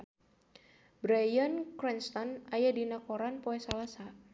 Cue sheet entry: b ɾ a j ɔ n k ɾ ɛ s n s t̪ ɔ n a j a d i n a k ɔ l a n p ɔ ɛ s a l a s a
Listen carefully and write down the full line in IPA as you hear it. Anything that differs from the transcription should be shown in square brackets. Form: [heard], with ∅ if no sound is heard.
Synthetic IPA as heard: b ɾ a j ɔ n k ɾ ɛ [∅] n s t̪ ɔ n a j a d i n a k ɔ [ɾ] a n p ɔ ɛ s a l a s a